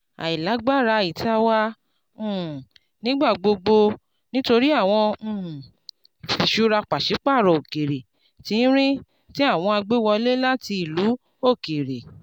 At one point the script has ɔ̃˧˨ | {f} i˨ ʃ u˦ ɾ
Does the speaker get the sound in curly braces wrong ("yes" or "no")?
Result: no